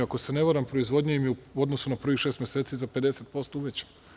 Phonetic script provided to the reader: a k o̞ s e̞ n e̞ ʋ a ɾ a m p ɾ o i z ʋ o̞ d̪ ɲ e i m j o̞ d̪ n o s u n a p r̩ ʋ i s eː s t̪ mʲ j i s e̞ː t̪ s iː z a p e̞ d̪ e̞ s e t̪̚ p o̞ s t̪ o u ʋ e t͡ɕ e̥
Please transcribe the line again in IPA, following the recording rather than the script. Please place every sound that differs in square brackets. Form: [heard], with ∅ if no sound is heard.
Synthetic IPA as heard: a k o̞ s e̞ n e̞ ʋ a ɾ a m p ɾ o i z ʋ o̞ d̪ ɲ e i m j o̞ d̪ n o s u n a p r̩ ʋ i [ʃ] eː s t̪ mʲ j [e] s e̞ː t̪ s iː z a p e̞ d̪ e̞ s e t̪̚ p o̞ s t̪ o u ʋ e t͡ɕ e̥